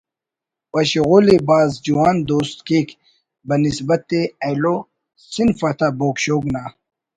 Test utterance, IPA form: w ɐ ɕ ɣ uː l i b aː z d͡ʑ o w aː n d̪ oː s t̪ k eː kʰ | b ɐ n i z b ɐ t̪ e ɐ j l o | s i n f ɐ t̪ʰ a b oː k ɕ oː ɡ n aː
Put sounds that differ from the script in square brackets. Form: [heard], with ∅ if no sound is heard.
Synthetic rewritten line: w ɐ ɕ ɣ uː l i b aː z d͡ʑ [u] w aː n d̪ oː s t̪ k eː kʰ | b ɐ n i [s] b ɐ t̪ e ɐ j l o | s i n f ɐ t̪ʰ a b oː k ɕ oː ɡ n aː